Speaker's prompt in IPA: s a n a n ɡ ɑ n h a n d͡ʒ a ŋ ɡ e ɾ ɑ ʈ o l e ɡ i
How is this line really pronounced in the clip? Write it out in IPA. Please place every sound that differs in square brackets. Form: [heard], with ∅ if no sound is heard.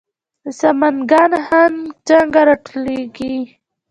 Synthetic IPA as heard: s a [m] a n ɡ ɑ n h a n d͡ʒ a ŋ ɡ [a] ɾ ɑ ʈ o l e ɡ i